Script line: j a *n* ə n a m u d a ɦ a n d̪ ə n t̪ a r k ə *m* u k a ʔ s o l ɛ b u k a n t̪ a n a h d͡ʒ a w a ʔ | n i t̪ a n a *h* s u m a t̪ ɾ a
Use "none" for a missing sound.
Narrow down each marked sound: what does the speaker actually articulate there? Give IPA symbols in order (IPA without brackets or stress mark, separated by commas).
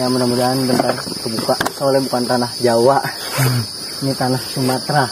m, b, h